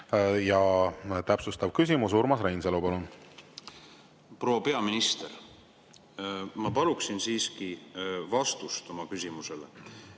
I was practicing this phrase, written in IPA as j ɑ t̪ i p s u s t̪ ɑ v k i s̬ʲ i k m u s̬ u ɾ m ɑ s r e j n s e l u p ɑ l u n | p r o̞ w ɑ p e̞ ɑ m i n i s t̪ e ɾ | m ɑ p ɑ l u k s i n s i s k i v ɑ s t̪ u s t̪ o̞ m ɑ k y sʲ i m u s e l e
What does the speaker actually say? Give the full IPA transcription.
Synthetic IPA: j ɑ t̪ æ p s u s t̪ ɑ v k y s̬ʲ i m u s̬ u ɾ m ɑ s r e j n s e l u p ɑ l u n | p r o̞ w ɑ p e̞ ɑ m i n i s t̪ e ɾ | m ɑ p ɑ l u k s i n s iː s k i v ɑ s t̪ u s t̪ o̞ m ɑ k y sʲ i m u s e l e